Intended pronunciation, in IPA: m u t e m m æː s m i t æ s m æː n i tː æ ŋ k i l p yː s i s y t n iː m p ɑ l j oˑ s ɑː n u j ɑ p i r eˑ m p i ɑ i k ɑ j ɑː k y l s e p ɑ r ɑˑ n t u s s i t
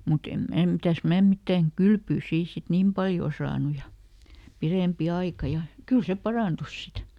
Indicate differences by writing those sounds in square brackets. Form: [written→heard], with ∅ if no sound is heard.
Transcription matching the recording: m u t e m m æː [s→∅] m i t æ s m æː [n→m] i tː æ ŋ k [i→y] l p yː s [i→iː] s [y→i] t n iː m p ɑ l j oˑ s ɑː n u j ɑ p i r eˑ m p i ɑ i k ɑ j [ɑː→ɑ] k y l s e p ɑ r ɑˑ n t u s s i t